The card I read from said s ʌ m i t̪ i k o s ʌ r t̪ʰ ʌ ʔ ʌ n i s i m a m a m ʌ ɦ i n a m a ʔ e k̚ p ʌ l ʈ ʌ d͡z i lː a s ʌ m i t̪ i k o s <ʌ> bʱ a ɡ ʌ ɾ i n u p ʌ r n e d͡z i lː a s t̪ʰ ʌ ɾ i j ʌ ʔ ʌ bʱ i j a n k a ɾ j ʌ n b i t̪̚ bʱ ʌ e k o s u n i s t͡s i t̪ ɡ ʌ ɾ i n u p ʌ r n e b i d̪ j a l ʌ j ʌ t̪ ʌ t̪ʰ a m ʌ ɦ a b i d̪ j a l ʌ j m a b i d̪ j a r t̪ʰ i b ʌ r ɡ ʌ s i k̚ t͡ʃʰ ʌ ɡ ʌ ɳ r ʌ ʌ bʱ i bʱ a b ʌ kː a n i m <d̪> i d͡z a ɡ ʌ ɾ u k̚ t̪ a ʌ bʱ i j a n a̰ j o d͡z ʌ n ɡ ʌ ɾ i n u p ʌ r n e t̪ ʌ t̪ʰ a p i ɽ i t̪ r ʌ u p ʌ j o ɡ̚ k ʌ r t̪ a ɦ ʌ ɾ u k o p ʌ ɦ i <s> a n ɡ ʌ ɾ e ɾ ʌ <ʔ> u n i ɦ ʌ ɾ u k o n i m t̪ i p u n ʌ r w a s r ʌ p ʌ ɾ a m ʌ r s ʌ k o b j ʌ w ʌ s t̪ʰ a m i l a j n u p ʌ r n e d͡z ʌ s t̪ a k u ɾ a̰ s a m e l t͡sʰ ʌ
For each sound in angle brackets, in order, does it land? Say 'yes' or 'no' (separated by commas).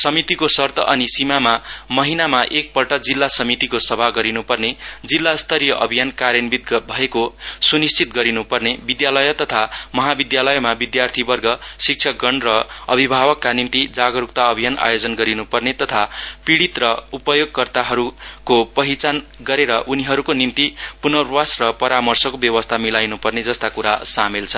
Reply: yes, no, no, yes